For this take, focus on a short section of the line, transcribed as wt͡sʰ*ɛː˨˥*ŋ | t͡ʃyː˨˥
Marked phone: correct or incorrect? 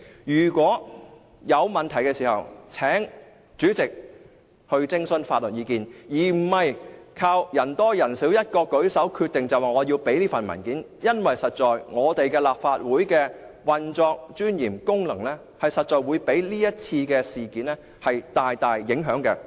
correct